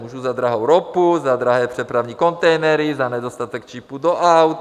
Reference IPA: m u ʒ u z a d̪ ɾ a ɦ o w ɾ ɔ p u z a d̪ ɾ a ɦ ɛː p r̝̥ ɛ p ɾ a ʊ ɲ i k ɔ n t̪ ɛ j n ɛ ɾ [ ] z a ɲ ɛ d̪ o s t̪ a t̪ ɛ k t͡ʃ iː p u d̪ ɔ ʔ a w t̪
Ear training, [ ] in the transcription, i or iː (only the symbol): i